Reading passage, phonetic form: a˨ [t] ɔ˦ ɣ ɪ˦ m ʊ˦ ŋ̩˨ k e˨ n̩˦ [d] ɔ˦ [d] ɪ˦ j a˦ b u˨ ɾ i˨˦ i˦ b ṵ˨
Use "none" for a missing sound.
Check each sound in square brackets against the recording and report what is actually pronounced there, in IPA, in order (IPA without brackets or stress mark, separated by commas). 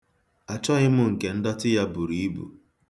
t͡ʃ, d, t